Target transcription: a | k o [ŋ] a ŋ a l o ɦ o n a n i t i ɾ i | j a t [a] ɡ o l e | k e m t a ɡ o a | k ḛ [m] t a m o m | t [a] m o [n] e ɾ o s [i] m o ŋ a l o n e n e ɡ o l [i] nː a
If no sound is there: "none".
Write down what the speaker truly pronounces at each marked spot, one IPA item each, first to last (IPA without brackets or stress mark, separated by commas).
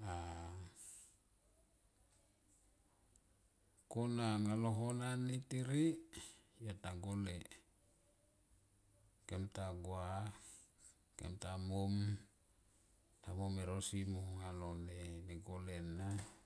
n, a, m, a, m, i, e